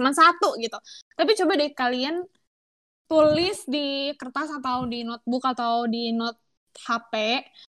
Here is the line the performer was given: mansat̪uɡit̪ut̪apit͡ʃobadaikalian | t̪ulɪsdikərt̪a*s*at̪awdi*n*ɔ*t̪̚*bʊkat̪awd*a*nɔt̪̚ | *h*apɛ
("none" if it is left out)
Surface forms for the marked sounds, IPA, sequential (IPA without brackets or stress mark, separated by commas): s, n, t̪̚, i, h